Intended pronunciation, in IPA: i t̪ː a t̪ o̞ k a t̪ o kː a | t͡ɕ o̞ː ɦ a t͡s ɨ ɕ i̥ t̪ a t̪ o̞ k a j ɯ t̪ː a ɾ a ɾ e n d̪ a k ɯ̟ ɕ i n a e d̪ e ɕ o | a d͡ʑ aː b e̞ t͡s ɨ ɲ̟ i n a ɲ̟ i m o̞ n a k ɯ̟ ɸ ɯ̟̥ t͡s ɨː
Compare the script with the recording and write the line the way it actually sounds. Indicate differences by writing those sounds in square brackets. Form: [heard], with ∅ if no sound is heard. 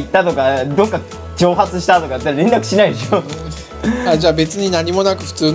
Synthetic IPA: i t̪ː a t̪ o̞ k a [d̪] o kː a | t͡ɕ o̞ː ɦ a t͡s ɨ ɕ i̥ t̪ a t̪ o̞ k a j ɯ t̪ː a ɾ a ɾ e n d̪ a k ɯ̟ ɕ i n a [i] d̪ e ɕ o | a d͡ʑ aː b e̞ t͡s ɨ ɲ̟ i n a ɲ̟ i m o̞ n a k ɯ̟ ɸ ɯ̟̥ t͡s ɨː